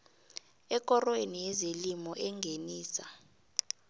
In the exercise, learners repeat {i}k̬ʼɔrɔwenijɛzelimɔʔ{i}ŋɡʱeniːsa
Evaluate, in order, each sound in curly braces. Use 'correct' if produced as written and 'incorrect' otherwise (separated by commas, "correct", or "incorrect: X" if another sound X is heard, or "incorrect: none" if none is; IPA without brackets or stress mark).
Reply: incorrect: ɛ, incorrect: ɛ